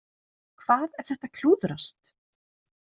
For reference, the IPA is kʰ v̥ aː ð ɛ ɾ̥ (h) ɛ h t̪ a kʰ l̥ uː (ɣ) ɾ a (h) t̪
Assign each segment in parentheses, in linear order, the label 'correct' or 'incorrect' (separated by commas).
incorrect, incorrect, incorrect